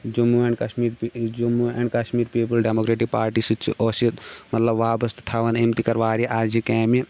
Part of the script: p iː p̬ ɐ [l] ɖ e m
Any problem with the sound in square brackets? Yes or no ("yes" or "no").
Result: no